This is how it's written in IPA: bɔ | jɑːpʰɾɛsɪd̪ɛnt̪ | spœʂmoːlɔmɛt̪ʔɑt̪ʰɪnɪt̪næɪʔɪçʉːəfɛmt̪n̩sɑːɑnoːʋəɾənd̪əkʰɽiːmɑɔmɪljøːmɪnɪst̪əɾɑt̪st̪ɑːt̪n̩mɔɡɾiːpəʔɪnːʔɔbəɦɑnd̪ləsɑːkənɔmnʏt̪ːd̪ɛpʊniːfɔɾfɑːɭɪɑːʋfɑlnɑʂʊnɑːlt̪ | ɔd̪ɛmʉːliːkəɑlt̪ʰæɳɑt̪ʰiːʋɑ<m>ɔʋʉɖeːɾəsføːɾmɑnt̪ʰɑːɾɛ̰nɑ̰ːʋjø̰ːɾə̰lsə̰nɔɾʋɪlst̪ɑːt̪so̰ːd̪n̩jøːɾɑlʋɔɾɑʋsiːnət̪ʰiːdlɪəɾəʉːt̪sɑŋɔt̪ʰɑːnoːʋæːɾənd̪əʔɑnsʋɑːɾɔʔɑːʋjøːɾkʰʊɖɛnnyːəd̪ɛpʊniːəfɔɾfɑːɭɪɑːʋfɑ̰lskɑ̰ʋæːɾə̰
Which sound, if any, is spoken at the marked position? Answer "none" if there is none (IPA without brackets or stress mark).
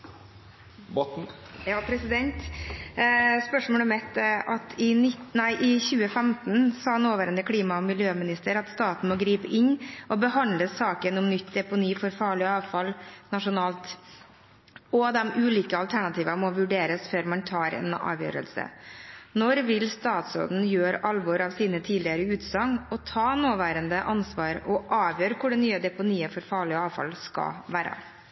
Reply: m